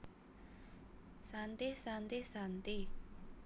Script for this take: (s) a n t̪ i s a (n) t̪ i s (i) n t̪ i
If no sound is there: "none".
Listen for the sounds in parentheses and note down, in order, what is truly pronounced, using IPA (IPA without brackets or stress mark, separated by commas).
s, n, a